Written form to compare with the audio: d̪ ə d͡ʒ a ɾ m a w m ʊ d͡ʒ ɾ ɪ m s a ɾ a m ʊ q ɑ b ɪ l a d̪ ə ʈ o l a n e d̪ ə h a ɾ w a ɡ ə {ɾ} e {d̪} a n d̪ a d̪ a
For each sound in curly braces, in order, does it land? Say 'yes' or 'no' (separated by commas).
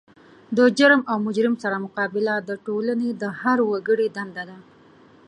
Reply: no, yes